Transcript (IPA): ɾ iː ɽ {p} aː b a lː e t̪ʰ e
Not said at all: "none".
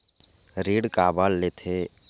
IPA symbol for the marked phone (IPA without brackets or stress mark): k